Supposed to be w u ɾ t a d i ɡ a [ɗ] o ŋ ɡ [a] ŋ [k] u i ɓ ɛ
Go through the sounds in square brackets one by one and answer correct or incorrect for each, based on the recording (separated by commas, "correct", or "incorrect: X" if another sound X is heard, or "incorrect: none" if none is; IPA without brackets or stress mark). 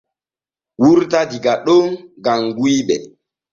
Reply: correct, correct, incorrect: ɡ